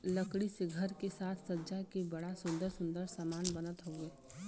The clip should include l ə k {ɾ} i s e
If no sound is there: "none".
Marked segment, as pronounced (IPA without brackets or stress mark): ɽ